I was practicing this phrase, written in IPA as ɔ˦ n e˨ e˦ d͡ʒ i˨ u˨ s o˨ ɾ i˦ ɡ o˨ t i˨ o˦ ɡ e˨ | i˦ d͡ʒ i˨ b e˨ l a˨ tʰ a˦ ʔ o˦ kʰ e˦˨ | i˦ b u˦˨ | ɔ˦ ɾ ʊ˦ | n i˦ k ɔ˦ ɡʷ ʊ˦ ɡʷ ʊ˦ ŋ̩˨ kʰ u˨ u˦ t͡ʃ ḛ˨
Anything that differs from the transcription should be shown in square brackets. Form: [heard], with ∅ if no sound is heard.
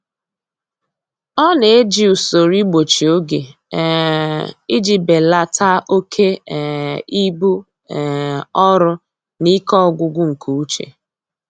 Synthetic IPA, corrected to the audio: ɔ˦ n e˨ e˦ d͡ʒ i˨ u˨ s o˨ ɾ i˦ [ɡ͡b] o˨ [t͡ʃ] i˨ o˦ ɡ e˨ | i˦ d͡ʒ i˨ b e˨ l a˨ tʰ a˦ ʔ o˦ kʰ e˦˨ | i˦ b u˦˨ | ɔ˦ ɾ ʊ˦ | n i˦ k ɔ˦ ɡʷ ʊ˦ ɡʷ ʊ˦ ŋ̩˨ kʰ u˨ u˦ t͡ʃ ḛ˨